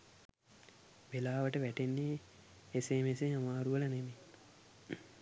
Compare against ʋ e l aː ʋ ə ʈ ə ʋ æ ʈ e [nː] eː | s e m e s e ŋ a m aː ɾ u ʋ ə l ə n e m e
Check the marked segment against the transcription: correct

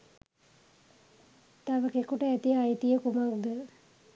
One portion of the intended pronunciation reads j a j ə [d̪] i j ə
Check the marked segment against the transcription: incorrect: t̪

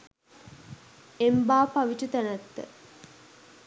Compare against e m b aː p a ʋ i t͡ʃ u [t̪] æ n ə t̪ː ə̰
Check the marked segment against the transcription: correct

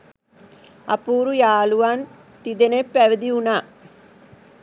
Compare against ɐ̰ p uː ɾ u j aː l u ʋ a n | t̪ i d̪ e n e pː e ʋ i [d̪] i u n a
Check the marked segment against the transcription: correct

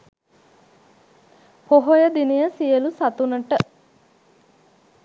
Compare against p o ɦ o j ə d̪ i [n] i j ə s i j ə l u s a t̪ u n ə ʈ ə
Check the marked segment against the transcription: correct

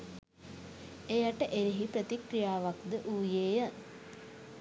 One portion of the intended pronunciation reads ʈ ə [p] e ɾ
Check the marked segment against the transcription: incorrect: ʔ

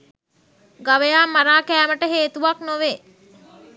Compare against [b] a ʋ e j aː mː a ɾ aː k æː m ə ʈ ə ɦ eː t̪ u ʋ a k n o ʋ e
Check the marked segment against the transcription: incorrect: ɡ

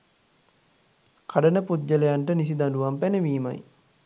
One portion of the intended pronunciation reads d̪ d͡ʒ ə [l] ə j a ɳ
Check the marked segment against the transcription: correct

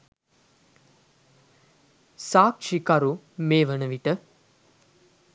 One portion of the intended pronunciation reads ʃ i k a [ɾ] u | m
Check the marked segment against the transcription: correct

